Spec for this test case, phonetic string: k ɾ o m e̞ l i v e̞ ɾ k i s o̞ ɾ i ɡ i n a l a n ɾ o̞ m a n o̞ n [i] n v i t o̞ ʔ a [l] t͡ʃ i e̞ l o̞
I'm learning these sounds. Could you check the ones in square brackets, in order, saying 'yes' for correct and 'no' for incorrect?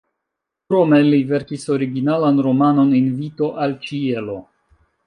yes, yes

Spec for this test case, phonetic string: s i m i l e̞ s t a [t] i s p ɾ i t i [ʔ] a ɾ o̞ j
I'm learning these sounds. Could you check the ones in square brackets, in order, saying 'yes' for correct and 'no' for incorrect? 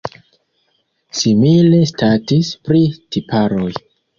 yes, no

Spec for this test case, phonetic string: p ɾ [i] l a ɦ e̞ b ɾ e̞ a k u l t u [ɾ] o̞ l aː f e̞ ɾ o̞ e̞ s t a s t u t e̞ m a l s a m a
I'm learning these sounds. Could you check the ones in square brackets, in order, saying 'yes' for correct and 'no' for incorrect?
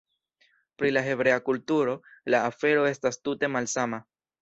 yes, yes

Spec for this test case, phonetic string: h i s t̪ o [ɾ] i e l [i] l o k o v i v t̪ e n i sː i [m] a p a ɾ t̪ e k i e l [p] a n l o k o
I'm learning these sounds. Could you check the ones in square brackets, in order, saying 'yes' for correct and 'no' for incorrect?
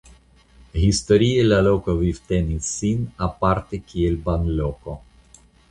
yes, no, no, no

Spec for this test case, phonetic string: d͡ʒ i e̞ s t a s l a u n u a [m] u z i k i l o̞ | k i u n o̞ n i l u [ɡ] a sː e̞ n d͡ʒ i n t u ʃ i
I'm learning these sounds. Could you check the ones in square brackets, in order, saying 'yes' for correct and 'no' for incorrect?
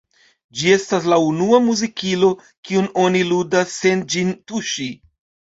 yes, no

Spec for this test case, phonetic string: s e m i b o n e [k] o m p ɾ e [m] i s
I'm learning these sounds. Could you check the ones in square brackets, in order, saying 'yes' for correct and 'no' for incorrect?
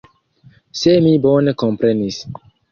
yes, no

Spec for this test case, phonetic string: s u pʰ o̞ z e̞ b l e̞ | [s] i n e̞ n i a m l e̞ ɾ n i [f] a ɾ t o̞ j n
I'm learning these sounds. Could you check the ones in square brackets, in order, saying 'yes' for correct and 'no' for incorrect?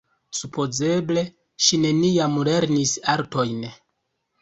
no, no

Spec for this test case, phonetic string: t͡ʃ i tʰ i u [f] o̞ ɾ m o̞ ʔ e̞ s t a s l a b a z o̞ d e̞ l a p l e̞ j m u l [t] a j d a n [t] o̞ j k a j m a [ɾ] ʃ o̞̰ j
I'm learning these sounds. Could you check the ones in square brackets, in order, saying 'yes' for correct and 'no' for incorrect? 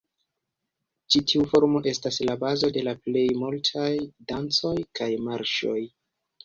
yes, no, no, yes

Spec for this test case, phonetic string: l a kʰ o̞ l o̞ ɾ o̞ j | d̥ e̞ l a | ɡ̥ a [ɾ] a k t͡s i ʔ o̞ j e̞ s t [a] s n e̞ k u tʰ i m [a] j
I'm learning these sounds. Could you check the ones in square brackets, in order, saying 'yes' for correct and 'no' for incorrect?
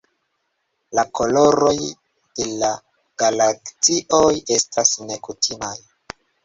no, yes, yes

